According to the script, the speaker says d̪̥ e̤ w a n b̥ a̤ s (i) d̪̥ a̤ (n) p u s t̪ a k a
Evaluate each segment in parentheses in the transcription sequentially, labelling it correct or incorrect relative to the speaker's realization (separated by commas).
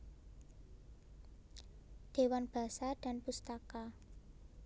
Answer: incorrect, correct